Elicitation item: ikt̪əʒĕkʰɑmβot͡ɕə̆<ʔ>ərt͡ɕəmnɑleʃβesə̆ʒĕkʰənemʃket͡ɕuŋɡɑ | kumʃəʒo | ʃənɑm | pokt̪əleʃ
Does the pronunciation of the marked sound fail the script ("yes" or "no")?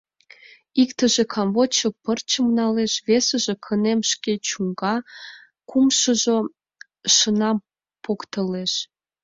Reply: yes